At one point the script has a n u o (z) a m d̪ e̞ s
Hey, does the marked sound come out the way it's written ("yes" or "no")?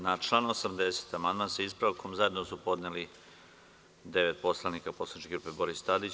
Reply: no